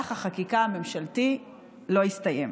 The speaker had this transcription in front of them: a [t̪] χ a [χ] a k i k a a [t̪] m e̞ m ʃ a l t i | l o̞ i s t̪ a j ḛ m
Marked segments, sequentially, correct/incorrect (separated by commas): incorrect, correct, incorrect